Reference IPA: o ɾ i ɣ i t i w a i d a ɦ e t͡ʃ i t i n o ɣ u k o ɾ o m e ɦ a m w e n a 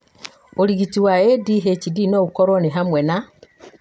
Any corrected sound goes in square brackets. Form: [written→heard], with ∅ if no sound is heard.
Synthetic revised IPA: o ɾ i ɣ i t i w a [i→e] d [a→i] ɦ e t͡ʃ i [t→d] i n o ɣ u k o ɾ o [m→n] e ɦ a m w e n a